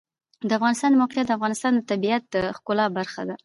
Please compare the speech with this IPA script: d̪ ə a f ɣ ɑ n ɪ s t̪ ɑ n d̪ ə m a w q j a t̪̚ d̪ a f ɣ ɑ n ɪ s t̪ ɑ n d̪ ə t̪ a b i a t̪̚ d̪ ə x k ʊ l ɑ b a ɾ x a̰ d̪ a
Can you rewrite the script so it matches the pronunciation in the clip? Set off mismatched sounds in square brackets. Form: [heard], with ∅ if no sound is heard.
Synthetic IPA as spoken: d̪ ə a f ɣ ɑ n ɪ s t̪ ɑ n d̪ ə m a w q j a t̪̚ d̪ a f ɣ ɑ n ɪ s t̪ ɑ n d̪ ə t̪ a b i a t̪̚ d̪ ə x k ʊ l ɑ b a ɾ x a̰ d̪ a